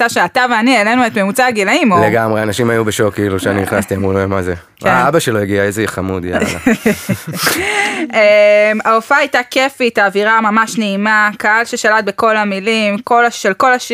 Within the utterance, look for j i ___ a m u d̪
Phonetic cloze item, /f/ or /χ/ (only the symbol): χ